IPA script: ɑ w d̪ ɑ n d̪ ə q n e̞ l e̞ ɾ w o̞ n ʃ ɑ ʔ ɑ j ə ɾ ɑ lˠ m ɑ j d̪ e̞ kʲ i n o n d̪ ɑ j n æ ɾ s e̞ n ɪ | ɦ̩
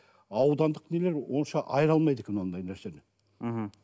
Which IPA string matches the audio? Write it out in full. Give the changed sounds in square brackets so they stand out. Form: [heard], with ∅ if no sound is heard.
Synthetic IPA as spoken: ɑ w d̪ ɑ n d̪ ə q n e̞ l e̞ ɾ w o̞ n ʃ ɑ ʔ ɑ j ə ɾ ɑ lˠ m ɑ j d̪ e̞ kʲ [e] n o n d̪ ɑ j n æ ɾ s e̞ n ɪ | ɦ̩